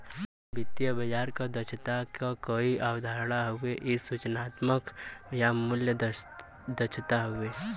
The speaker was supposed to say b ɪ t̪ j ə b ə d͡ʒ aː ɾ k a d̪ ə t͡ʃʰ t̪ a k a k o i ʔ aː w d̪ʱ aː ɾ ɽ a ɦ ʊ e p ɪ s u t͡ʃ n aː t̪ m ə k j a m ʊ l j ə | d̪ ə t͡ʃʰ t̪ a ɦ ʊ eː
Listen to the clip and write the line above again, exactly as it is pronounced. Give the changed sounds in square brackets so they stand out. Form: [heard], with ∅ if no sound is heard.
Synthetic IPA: b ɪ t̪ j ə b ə d͡ʒ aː ɾ k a d̪ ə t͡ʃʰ t̪ a k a k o i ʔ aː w d̪ʱ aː ɾ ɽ a ɦ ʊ e [ʔ] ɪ s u t͡ʃ n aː t̪ m ə k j a m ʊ l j ə | d̪ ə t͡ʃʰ t̪ a ɦ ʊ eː